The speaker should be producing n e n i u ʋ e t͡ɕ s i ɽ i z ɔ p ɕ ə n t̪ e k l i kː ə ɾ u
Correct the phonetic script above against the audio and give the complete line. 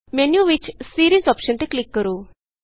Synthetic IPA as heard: m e n j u ʋ i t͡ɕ s i ɾ i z ɔ p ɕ ə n t̪ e k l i kː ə ɾ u